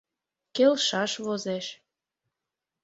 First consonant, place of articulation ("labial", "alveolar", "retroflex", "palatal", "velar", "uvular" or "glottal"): velar